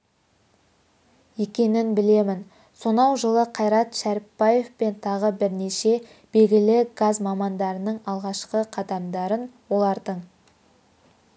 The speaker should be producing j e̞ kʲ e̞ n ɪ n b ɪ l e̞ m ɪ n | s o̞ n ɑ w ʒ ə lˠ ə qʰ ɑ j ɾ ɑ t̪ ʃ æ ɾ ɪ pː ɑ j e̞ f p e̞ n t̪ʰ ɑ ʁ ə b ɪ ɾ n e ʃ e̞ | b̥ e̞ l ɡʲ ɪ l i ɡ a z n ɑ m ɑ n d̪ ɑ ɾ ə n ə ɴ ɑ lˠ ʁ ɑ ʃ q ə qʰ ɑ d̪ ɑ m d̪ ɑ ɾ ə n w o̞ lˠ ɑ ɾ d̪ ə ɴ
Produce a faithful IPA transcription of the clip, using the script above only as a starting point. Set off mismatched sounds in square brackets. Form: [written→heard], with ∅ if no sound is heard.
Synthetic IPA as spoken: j e̞ kʲ e̞ n ɪ n b ɪ l e̞ m ɪ n | s o̞ n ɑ w ʒ ə lˠ ə qʰ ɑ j ɾ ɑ t̪ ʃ æ ɾ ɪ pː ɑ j e̞ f p e̞ n t̪ʰ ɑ ʁ ə b ɪ ɾ n e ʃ e̞ | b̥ e̞ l ɡʲ ɪ l [i→ɪ] ɡ a z [n→m] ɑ m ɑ n d̪ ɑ ɾ ə n ə ɴ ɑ lˠ ʁ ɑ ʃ q ə qʰ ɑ d̪ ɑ m d̪ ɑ ɾ ə n w o̞ lˠ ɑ ɾ d̪ ə ɴ